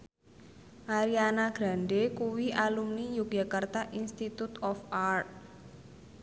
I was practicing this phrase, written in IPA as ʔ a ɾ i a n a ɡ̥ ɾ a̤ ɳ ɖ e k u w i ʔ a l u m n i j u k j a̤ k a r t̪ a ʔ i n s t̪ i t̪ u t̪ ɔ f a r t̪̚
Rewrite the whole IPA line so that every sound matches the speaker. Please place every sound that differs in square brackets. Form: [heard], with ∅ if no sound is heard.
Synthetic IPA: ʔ a ɾ i a n a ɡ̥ ɾ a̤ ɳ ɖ e k u w i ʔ a l u m n i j u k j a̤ k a r t̪ a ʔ i n s t̪ i t̪ u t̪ ɔ f a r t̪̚